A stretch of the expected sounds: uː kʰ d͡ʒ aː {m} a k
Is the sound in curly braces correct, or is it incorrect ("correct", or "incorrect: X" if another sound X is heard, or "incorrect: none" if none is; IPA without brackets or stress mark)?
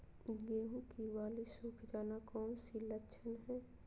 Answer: incorrect: n